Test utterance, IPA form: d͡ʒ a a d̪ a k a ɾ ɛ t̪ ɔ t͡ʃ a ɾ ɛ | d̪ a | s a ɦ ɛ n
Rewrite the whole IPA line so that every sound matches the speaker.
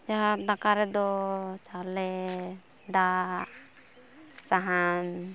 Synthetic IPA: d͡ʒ a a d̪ a k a ɾ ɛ d̪ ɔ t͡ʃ a l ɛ | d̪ a | s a ɦ a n